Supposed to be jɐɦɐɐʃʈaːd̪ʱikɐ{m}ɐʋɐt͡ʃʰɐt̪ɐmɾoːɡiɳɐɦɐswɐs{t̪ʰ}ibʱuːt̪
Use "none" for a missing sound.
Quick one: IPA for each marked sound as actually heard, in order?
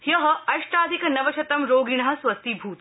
n, t̪

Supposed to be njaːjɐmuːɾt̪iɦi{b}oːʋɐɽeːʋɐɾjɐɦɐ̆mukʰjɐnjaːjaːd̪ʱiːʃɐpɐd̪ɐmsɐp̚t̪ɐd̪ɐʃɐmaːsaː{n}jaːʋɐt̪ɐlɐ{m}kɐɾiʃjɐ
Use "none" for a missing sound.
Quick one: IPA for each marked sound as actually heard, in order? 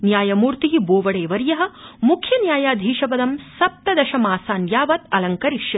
b, n, ŋ

